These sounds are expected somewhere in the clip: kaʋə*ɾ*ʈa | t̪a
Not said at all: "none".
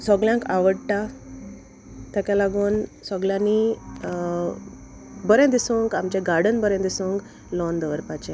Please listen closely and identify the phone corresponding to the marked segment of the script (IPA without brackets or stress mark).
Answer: ɽ